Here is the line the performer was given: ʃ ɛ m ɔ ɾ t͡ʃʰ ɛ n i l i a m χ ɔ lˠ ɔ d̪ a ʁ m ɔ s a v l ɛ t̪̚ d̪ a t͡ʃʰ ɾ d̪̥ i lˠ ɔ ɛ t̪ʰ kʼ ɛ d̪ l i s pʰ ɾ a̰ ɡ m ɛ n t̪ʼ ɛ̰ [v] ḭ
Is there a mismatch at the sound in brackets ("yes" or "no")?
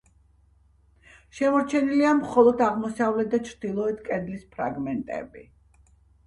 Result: yes